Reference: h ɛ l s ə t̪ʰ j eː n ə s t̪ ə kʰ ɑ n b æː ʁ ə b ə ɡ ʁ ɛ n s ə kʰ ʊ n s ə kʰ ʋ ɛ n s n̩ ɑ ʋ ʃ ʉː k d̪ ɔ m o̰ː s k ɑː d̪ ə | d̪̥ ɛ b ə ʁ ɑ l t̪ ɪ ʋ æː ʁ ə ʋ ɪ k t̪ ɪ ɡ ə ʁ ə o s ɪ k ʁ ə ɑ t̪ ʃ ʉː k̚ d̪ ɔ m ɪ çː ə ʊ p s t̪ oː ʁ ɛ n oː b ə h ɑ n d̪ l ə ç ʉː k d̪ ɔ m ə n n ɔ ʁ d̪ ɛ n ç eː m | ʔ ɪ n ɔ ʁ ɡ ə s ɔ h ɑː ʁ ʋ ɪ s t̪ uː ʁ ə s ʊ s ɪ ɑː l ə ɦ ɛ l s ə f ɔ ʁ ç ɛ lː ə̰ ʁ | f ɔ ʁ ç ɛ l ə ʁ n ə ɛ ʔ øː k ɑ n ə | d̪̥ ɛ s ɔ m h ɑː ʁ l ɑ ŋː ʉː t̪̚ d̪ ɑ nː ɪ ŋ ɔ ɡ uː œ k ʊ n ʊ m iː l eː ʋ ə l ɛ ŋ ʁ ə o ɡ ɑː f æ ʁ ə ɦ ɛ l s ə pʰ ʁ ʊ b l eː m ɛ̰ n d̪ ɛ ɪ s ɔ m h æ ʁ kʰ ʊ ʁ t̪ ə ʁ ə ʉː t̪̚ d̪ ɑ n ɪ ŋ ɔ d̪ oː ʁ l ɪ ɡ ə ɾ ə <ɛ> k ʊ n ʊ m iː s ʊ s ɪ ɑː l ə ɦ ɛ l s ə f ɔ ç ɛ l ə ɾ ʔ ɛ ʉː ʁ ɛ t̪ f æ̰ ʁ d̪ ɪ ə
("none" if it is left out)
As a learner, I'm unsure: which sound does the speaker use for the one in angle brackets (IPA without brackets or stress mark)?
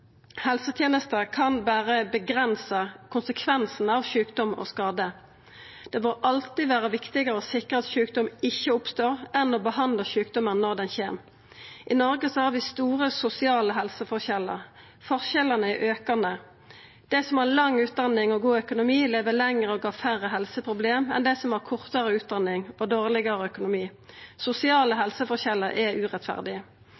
œ